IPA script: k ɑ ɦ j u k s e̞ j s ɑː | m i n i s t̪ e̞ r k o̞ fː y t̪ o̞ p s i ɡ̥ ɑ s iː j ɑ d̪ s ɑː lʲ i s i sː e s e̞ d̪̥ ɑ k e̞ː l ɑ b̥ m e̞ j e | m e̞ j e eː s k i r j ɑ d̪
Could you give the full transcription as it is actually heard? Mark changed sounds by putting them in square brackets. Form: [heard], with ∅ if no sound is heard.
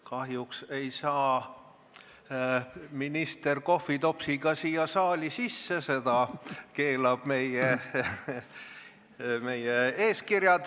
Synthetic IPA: k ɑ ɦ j u k s e̞ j s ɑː | m i n i s t̪ e̞ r k o̞ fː [i] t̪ o̞ p s i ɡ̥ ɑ s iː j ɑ [∅] s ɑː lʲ i s i sː e s e̞ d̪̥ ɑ k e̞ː l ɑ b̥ m e̞ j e | m e̞ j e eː s k i r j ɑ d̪